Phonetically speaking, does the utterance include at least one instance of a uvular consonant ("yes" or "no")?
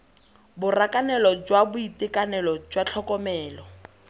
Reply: no